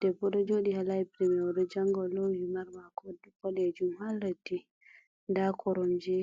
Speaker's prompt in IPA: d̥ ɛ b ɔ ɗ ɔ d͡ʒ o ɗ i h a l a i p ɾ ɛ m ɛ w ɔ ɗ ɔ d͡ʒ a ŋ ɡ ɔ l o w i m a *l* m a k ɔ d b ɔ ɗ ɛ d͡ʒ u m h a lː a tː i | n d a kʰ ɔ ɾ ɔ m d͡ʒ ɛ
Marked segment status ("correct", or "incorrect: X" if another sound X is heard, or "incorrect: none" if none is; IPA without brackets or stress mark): incorrect: ɾ